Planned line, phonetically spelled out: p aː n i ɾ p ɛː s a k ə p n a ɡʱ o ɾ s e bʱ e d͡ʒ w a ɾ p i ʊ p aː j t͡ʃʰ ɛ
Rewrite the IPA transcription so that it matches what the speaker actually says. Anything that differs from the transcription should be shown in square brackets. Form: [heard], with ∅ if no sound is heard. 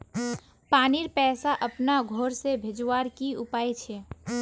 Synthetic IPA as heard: p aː n i ɾ p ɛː s a [ʔ] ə p n a ɡʱ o ɾ s e bʱ e d͡ʒ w a ɾ [k] i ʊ p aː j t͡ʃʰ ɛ